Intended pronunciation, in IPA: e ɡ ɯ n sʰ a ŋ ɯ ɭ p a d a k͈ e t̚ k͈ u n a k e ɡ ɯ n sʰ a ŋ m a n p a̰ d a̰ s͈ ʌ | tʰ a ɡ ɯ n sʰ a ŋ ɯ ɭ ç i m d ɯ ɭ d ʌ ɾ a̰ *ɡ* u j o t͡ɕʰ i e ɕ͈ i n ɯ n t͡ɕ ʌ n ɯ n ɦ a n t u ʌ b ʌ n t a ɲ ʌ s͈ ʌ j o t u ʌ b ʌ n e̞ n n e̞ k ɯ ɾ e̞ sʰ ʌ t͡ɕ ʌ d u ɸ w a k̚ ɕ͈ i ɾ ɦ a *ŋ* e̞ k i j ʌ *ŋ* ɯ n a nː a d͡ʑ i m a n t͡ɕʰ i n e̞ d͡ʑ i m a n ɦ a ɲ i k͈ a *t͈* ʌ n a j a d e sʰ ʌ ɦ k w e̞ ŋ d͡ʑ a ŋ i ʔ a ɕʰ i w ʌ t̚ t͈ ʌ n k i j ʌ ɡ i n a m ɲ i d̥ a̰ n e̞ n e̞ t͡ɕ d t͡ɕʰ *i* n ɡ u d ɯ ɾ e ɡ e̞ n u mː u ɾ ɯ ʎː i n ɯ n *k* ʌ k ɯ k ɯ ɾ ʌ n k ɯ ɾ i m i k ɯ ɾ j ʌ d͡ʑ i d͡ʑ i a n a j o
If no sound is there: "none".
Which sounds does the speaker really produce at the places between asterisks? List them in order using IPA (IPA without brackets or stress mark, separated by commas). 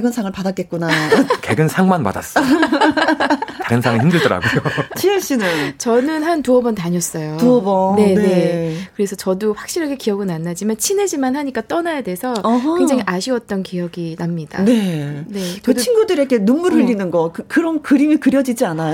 ɡ, ɡ, ɡ, t͈, i, ɡ